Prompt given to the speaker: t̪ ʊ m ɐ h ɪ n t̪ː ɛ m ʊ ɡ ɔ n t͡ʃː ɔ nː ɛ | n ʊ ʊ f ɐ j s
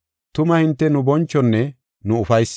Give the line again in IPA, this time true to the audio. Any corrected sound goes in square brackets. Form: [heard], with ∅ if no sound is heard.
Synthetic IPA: t̪ ʊ m ɐ h ɪ n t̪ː ɛ [n] ʊ [b] ɔ n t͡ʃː ɔ nː ɛ | n ʊ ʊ f ɐ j s